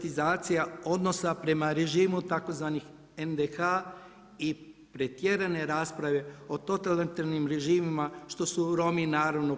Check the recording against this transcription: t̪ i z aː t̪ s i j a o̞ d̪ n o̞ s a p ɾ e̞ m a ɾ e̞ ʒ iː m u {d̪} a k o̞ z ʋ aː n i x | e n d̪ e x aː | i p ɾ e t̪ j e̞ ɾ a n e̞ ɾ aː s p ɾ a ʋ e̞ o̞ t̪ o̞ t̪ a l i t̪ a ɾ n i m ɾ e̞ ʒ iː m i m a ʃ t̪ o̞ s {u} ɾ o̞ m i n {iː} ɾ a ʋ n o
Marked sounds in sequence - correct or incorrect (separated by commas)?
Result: incorrect, correct, incorrect